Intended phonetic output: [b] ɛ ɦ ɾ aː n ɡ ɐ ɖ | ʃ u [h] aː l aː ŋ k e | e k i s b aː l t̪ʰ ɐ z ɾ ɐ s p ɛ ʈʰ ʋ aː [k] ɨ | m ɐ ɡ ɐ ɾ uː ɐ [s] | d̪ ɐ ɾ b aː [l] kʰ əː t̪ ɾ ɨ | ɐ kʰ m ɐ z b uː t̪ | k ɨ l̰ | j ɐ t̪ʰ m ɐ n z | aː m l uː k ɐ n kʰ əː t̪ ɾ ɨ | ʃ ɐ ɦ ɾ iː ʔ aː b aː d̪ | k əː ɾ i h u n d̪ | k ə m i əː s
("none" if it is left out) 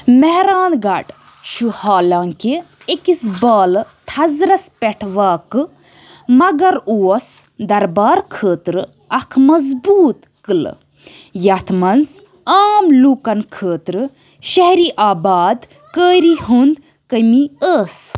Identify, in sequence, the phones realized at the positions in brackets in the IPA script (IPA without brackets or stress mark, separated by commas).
m, h, k, s, ɾ